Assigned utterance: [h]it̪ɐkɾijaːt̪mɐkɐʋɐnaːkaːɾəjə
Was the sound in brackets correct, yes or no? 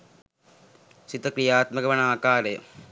no